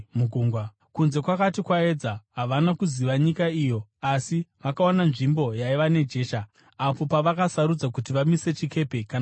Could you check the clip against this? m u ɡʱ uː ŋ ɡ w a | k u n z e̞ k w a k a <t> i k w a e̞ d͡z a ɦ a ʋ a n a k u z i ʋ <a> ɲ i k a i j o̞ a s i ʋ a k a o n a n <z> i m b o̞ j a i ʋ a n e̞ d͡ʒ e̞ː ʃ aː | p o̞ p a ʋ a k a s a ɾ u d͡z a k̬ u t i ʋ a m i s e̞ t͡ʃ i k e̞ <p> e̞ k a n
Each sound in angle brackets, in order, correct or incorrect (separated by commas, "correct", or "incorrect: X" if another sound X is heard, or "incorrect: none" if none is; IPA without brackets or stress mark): correct, correct, incorrect: ʐ, correct